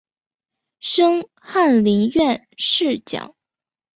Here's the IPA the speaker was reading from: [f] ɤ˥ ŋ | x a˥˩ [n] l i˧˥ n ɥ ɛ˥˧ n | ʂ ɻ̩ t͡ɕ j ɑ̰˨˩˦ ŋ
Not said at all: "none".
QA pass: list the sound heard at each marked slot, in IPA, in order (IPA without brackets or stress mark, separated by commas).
ʂ, n